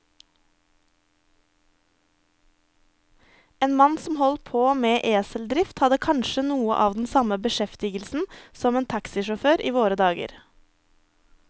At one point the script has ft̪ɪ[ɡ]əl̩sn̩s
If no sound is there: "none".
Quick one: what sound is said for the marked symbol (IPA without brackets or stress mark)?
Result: ɡ